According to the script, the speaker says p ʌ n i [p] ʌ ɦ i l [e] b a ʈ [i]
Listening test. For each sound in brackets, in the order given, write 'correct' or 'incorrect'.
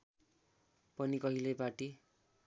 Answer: incorrect: k, correct, correct

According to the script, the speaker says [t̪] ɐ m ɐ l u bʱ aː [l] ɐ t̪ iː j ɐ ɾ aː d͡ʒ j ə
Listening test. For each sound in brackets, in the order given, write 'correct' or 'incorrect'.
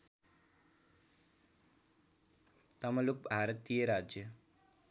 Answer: correct, incorrect: ɾ

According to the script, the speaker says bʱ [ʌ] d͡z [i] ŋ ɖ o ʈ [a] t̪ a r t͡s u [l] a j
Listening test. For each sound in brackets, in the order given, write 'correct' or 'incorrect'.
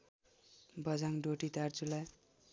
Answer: correct, incorrect: a, incorrect: i, correct

